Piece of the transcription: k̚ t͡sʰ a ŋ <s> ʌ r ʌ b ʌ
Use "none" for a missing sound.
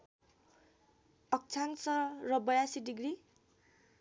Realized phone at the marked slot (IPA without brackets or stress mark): s